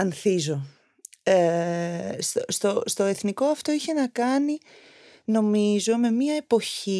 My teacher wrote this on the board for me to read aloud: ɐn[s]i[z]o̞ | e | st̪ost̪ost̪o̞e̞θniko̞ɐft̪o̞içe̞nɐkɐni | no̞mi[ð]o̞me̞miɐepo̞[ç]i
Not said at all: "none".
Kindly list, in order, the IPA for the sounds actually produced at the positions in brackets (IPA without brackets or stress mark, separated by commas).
θ, z, z, ç